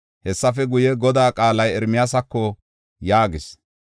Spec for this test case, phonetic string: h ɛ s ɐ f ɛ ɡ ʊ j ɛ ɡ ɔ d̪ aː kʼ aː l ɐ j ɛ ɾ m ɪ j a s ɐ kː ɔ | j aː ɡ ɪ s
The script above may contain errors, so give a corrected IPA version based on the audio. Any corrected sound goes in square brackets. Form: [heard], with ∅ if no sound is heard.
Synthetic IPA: h ɛ [sː] ɐ f ɛ ɡ ʊ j ɛ ɡ ɔ d̪ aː kʼ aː l ɐ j ɛ ɾ m ɪ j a s ɐ kː ɔ | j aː ɡ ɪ s

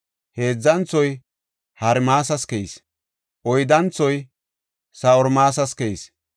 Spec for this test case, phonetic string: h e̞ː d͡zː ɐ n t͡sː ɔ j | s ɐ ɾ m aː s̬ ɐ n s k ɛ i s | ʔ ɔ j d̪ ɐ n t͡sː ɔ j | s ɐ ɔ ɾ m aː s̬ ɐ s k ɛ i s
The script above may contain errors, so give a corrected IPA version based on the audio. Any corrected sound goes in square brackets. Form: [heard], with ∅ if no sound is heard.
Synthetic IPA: h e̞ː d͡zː ɐ n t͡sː ɔ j | [h] ɐ ɾ m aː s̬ ɐ [∅] s k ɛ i s | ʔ ɔ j d̪ ɐ n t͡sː ɔ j | s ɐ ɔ ɾ m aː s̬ ɐ s k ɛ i s

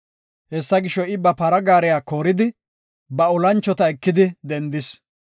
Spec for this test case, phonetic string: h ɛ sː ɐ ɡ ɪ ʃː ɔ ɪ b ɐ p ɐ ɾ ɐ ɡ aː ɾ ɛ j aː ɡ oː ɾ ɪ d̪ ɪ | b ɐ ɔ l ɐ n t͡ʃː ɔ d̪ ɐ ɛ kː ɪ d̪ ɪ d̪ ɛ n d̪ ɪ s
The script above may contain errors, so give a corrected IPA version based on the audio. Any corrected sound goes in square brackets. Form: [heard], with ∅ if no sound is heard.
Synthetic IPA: h ɛ sː ɐ ɡ ɪ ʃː ɔ ɪ b ɐ p ɐ ɾ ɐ ɡ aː ɾ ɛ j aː [k] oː ɾ ɪ d̪ ɪ | b ɐ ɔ l ɐ n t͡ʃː ɔ [t̪] ɐ ɛ kː ɪ d̪ ɪ d̪ ɛ n d̪ ɪ s

